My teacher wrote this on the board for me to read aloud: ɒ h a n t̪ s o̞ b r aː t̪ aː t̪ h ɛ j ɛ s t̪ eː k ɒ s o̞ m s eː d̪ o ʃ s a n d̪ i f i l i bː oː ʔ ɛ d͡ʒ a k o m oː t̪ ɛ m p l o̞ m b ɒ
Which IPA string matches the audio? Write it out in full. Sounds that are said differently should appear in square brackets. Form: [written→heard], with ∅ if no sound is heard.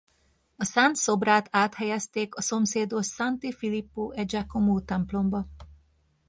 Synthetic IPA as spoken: ɒ [h→s] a n t̪ s o̞ b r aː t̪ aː t̪ h ɛ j ɛ s t̪ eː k ɒ s o̞ m s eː d̪ o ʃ s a n [d̪→t̪] i f i l i [bː→pː] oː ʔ ɛ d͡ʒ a k o m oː t̪ ɛ m p l o̞ m b ɒ